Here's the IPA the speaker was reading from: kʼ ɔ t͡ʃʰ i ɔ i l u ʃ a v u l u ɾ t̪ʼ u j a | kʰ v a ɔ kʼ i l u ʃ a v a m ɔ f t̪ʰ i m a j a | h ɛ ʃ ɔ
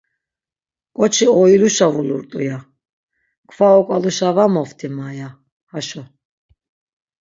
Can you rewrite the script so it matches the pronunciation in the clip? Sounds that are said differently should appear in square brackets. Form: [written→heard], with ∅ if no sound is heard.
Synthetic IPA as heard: kʼ ɔ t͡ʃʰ i ɔ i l u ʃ a v u l u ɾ t̪ʼ u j a | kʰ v a ɔ kʼ [i→a] l u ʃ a v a m ɔ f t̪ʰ i m a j a | h [ɛ→a] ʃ ɔ